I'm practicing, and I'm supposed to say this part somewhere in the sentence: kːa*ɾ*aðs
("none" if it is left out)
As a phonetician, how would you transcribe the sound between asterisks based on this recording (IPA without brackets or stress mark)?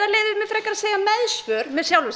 ɾ